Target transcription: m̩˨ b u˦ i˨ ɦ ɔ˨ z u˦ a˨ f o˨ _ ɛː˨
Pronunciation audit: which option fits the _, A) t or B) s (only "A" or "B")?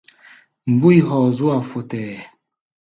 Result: A